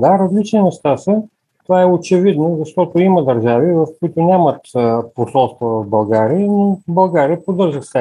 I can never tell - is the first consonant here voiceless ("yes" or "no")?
no